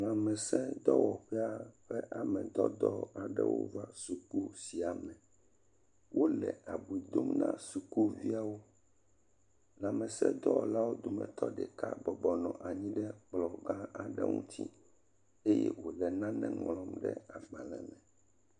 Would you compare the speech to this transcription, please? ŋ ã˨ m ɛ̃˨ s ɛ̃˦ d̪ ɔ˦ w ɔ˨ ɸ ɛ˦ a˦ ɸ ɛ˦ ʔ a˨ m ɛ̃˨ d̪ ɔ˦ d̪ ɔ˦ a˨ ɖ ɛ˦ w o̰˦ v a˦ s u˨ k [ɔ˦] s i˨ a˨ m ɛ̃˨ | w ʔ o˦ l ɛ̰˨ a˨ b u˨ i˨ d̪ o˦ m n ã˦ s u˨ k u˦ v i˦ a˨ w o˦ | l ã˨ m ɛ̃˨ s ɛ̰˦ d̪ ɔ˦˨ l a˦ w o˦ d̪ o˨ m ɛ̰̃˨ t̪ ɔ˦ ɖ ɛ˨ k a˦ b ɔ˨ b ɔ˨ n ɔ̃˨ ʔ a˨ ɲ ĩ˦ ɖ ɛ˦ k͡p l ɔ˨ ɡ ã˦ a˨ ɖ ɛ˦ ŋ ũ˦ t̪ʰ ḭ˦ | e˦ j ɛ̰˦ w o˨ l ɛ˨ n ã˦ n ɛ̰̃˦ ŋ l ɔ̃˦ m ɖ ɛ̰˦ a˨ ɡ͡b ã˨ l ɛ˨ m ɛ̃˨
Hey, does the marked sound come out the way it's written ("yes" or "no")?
no